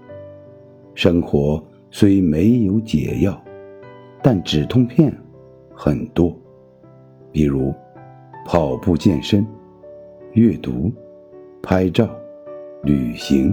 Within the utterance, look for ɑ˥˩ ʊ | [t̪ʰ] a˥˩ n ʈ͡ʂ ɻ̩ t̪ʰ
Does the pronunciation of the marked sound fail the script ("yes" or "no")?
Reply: yes